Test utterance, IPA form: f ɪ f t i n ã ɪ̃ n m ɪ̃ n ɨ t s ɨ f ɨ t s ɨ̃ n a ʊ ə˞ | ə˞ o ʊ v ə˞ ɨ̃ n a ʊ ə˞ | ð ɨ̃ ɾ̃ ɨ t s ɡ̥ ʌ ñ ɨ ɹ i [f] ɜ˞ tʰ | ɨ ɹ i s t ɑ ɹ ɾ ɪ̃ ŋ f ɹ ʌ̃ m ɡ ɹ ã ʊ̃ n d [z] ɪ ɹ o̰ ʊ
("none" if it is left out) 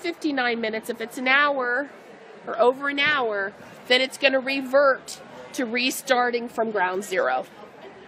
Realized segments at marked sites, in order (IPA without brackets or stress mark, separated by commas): v, z